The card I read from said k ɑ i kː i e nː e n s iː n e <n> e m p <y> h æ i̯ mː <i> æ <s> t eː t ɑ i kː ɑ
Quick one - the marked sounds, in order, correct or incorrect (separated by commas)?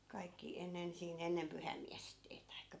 incorrect, correct, correct, correct